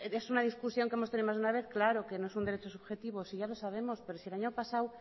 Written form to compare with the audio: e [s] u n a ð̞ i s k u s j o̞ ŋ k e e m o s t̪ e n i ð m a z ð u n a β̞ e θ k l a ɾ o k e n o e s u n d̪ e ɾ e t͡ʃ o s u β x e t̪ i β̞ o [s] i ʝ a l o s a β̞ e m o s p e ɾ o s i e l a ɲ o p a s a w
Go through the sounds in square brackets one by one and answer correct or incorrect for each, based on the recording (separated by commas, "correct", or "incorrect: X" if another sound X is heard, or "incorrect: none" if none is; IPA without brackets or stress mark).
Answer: correct, correct